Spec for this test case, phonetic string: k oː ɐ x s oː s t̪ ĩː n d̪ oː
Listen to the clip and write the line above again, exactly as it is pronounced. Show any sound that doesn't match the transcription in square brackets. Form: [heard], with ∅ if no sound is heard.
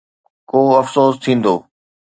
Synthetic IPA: k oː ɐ [f] s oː s [t̪ʰ] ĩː n d̪ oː